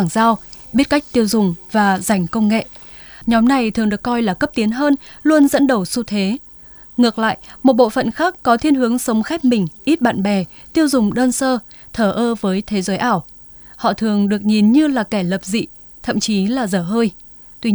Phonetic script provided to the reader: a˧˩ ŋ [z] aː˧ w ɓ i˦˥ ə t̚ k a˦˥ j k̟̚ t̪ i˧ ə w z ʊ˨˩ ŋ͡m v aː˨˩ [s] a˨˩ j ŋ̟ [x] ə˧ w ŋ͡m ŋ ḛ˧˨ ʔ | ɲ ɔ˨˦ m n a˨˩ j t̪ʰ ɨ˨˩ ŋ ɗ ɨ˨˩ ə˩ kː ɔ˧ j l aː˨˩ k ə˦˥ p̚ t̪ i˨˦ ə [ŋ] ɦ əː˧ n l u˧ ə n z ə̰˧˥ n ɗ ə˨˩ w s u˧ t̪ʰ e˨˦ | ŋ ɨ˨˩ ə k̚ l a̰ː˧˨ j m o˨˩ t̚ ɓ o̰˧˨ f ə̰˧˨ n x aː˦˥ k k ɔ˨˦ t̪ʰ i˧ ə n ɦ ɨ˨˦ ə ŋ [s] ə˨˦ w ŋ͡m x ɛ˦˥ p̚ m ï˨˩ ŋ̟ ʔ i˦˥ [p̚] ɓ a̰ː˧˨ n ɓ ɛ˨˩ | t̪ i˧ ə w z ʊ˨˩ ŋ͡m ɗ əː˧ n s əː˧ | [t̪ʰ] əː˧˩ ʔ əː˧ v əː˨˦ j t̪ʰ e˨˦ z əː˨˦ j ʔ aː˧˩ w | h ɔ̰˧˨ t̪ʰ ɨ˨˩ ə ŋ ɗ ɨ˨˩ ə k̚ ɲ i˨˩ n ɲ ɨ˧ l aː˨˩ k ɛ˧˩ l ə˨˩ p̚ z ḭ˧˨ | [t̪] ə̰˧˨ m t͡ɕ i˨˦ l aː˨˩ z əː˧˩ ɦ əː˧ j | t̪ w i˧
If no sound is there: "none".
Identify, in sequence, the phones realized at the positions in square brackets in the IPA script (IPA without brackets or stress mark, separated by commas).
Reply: z, z, k, n, s, t̚, t̪ʰ, t̪ʰ